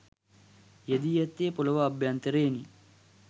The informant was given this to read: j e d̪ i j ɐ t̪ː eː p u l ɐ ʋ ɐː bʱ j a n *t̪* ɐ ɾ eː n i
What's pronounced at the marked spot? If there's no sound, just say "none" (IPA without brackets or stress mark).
t̪